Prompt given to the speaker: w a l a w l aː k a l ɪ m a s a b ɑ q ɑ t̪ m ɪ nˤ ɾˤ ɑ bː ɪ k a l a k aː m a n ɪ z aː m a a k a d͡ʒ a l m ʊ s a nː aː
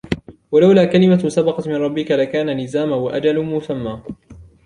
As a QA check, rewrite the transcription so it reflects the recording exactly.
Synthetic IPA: w a l a w l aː k a l ɪ m a s a b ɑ q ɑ t̪ m ɪ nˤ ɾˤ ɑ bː ɪ k a l a k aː n a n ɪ z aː m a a ʔ a d͡ʒ a l m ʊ s a mː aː